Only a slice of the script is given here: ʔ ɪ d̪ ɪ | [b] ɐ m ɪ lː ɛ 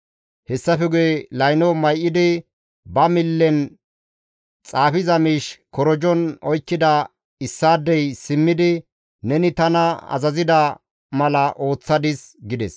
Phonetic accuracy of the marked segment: correct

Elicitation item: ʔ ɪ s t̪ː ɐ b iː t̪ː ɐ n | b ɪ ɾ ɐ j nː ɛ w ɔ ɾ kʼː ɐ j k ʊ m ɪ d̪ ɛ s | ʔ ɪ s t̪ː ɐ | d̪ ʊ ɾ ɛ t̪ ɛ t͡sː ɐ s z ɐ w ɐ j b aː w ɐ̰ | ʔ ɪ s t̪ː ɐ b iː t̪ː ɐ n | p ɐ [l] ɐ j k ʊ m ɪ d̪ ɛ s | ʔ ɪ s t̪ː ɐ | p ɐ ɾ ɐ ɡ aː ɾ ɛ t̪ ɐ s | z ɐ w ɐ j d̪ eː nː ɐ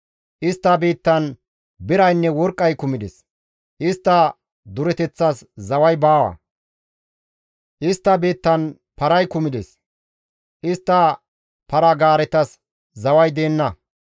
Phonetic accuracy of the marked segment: incorrect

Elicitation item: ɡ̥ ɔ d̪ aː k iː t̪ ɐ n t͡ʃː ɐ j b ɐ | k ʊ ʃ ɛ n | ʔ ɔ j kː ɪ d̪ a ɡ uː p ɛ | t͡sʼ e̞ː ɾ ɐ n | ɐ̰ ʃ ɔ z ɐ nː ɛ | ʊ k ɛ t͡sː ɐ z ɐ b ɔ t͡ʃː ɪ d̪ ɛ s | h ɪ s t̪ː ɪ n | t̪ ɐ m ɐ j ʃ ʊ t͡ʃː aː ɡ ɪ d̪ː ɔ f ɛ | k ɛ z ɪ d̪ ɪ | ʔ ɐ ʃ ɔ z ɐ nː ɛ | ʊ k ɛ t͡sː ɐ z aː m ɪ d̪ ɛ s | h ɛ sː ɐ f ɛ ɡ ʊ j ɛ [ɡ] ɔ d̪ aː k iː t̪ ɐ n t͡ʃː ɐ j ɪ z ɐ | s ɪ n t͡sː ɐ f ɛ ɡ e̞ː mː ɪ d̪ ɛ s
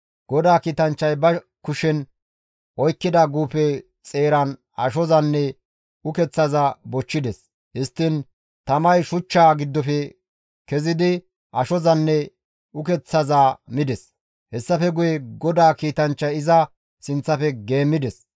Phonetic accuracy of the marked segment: correct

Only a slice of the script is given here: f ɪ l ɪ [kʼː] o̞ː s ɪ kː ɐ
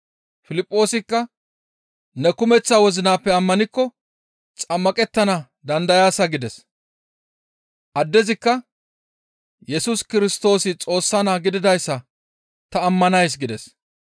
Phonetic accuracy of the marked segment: incorrect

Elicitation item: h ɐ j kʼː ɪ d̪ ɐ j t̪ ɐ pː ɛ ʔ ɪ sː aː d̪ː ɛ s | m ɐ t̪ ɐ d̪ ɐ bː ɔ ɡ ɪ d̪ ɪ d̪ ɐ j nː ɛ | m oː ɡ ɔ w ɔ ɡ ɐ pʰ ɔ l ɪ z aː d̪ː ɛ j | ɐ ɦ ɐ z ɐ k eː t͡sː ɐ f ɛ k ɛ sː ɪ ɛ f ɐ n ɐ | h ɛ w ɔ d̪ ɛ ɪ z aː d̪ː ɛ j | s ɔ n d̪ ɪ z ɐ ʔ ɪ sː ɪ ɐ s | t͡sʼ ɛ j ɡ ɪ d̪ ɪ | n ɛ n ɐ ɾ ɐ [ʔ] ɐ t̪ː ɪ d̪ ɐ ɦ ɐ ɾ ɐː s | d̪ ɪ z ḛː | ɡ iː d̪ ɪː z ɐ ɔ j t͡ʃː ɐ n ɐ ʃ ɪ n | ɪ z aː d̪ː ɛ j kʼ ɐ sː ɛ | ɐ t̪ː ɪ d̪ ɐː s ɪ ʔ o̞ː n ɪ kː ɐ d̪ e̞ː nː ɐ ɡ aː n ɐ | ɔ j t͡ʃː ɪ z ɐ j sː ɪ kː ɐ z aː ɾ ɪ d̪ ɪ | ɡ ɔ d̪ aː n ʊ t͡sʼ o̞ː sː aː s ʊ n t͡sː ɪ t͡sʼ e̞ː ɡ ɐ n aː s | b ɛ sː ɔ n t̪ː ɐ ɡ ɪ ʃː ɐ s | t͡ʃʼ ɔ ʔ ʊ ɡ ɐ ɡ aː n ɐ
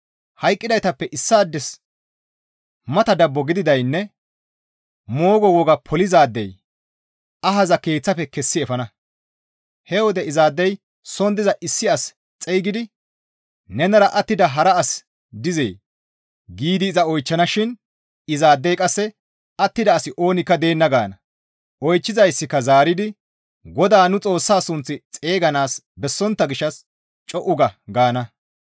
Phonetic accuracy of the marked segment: correct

